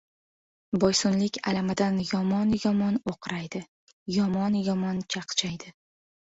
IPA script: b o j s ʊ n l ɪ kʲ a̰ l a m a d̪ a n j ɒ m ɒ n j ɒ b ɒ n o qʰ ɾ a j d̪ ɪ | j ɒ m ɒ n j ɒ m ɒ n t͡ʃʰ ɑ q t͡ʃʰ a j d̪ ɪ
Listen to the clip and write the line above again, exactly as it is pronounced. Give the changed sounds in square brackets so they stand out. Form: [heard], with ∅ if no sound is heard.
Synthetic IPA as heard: b [ɒ] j s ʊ n l ɪ kʲ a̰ l a m a d̪ a n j ɒ m ɒ n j ɒ [m] ɒ n o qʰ ɾ a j d̪ ɪ | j ɒ m ɒ n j ɒ m ɒ n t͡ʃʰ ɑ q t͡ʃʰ a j d̪ ɪ